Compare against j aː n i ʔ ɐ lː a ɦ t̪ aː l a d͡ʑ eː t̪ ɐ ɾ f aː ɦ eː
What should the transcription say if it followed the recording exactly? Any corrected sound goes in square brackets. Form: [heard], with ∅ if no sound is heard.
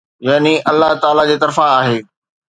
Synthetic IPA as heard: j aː n i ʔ ɐ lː a ɦ t̪ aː l a d͡ʑ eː t̪ ɐ ɾ f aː ɦ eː

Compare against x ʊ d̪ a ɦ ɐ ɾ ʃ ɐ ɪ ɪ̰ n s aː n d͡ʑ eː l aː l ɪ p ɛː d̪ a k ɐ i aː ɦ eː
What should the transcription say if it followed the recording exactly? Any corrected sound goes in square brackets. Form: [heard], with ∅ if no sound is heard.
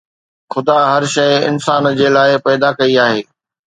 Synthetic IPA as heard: x ʊ d̪ a ɦ ɐ ɾ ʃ ɐ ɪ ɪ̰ n s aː n d͡ʑ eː l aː [∅] ɪ p ɛː d̪ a k ɐ i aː ɦ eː

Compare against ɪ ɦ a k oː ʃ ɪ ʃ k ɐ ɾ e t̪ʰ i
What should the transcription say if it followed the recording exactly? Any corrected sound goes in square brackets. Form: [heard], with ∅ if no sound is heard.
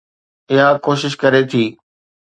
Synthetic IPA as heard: ɪ ɦ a k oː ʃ ɪ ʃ k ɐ ɾ e t̪ʰ [iː]

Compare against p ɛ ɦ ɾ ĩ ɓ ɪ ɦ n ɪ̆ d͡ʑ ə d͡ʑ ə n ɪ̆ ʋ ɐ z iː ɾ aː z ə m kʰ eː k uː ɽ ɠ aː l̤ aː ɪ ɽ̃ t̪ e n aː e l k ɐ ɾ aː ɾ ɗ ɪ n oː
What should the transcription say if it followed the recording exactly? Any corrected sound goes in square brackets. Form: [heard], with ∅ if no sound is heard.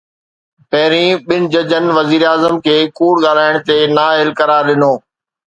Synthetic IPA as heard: p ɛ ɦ ɾ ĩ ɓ ɪ [∅] n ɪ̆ d͡ʑ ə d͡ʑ ə n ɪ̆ ʋ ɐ z iː ɾ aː z ə m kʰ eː k uː ɽ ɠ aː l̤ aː ɪ ɽ̃ t̪ e n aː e l k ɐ ɾ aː ɾ ɗ ɪ n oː

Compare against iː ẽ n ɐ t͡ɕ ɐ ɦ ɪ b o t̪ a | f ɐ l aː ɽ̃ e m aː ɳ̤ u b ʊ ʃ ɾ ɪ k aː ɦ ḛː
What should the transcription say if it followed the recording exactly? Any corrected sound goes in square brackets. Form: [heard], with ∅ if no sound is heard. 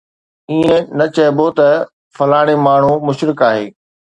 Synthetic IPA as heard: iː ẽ n ɐ t͡ɕ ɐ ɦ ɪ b o t̪ [ɐ] | f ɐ l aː ɽ̃ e m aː ɳ̤ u [m] ʊ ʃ ɾ ɪ k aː ɦ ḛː

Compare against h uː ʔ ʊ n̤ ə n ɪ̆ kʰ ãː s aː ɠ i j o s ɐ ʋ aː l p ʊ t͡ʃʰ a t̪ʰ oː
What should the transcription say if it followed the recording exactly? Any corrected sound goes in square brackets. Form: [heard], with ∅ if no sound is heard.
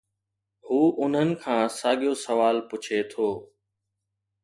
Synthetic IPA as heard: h uː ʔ ʊ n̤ ə n ɪ̆ kʰ ãː s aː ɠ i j o s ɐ ʋ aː l p ʊ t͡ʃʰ [e] t̪ʰ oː

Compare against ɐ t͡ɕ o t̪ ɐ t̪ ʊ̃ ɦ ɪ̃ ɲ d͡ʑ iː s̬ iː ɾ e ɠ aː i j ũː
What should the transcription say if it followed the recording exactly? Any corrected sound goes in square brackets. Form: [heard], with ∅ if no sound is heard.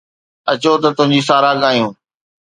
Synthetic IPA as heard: ɐ t͡ɕ o t̪ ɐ t̪ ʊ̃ ɦ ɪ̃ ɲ d͡ʑ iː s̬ [aː] ɾ [a] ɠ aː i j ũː

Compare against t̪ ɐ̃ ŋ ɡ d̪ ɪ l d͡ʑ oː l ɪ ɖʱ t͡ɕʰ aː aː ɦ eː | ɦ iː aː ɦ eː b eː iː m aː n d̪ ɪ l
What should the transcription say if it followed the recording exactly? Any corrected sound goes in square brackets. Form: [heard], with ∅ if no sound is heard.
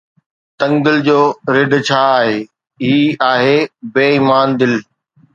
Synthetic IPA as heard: t̪ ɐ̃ ŋ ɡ d̪ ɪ l d͡ʑ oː [ɾ] ɪ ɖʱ t͡ɕʰ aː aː ɦ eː | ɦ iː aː ɦ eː b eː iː m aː n d̪ ɪ l

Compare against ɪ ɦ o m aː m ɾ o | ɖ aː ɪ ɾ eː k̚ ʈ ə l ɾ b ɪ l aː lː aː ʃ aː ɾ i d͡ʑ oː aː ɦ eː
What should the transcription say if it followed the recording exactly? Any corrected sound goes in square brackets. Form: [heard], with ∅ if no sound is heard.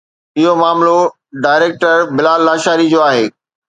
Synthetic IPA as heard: ɪ ɦ o m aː m [l] o | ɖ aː ɪ ɾ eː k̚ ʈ ə [∅] ɾ b ɪ l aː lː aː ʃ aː ɾ i d͡ʑ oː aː ɦ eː

